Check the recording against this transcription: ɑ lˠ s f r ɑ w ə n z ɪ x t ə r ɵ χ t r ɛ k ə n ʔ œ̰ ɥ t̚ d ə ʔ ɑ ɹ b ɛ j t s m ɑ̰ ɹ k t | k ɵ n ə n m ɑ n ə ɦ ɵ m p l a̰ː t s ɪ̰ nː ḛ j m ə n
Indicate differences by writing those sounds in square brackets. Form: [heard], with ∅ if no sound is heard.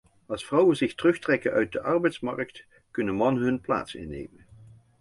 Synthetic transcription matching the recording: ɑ lˠ s f r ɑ w ə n z ɪ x t ə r ɵ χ t r ɛ k ə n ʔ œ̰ ɥ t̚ d ə ʔ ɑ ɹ b ɛ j t s m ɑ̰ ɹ k t | k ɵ n ə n m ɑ n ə ɦ ɵ [n] p l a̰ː t s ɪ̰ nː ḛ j m ə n

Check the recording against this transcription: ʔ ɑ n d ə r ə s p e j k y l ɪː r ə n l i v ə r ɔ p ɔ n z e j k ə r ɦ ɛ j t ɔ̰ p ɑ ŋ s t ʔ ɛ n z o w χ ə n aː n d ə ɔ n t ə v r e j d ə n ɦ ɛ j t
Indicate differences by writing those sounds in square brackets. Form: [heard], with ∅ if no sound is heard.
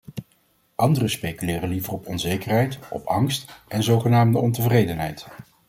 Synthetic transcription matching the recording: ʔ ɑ n d ə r ə s p e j k y l ɪː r ə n l i v ə r ɔ p ɔ n z e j k ə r ɦ ɛ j t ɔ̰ p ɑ ŋ s t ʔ ɛ n z o w χ ə n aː [m] d ə ɔ n t ə v r e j d ə n ɦ ɛ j t

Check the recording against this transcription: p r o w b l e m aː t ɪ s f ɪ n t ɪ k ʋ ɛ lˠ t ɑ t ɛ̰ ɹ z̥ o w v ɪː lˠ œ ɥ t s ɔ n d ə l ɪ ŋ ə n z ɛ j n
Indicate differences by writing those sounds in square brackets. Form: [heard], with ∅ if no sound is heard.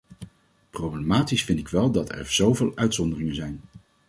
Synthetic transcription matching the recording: p r o w b l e m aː t [i] s f ɪ n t ɪ k ʋ ɛ lˠ [d] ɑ t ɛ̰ ɹ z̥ o w v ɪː lˠ œ ɥ t s ɔ n d ə [r] ɪ ŋ ə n z ɛ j n

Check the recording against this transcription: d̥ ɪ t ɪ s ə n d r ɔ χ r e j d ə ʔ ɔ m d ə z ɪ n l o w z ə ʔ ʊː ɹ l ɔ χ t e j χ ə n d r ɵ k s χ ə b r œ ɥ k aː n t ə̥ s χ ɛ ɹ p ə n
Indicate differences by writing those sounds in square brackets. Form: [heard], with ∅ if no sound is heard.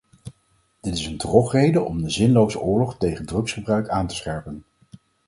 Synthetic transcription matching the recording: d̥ ɪ t ɪ s ə n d r ɔ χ r e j d ə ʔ ɔ m d ə z ɪ n l o w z ə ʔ ʊː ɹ l ɔ χ t e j χ ə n d r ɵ k s χ ə b r œ ɥ k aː n t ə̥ s χ ɛ ɹ p ə n

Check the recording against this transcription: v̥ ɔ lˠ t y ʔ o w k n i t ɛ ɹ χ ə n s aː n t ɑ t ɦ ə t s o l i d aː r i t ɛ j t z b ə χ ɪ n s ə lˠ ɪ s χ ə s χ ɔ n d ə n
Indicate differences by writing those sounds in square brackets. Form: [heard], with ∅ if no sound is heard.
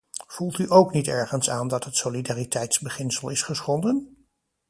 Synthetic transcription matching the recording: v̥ [u] lˠ t y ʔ o w k n i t ɛ ɹ χ ə n s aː n [d] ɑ t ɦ ə t s o l i d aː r i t ɛ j t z b ə χ ɪ n s ə lˠ ɪ s χ ə s χ ɔ n d ə n

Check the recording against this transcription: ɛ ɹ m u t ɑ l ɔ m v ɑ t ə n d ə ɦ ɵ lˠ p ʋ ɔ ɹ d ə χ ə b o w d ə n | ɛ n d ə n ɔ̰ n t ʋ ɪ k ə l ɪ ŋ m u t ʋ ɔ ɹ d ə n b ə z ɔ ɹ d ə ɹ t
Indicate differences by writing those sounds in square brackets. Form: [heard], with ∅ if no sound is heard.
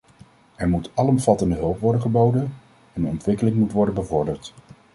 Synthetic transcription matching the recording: ɛ ɹ m u t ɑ l ɔ m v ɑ t ə n d ə ɦ ɵ lˠ p ʋ ɔ ɹ d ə χ ə b o w d ə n | ɛ n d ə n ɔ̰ n t ʋ ɪ k ə l ɪ ŋ m u t ʋ ɔ ɹ d ə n b ə [v] ɔ ɹ d ə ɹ t

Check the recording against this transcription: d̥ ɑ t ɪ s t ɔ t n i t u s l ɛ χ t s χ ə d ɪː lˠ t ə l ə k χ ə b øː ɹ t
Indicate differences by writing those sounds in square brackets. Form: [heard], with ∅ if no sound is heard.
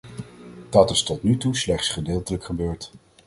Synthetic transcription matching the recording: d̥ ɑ t ɪ s t ɔ t n [y] t u s l ɛ χ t s χ ə d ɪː lˠ t ə l ə k χ ə b øː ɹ t

